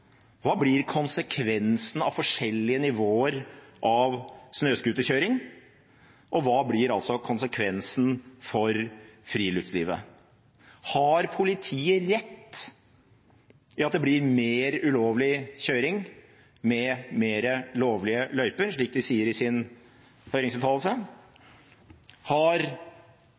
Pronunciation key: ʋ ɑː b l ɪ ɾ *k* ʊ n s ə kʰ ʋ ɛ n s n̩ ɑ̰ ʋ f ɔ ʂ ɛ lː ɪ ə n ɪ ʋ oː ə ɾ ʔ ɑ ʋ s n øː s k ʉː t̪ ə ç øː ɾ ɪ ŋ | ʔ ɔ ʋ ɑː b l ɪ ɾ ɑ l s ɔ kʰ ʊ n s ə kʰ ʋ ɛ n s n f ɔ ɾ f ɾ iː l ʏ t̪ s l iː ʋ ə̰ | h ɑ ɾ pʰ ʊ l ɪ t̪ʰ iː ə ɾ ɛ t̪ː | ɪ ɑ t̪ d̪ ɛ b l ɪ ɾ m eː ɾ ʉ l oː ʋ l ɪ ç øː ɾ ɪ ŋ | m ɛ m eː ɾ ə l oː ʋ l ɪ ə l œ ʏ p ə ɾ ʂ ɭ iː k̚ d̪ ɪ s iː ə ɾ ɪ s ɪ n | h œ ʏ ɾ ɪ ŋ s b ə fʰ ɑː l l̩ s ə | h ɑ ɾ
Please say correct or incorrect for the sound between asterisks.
incorrect